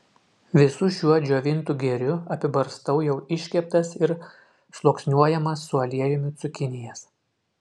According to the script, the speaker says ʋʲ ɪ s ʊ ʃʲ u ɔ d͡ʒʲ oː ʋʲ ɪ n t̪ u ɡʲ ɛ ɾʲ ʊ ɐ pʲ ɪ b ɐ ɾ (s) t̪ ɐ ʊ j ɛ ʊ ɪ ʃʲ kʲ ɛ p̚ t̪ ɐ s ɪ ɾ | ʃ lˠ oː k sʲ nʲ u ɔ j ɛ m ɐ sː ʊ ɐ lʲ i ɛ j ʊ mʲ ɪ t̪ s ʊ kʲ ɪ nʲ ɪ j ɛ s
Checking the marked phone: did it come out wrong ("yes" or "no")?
no